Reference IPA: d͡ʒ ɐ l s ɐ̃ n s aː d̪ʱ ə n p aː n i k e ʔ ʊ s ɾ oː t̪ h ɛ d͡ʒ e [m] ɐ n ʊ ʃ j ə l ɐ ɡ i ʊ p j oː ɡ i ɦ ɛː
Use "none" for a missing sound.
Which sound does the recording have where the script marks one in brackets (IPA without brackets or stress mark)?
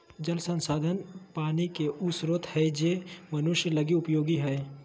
m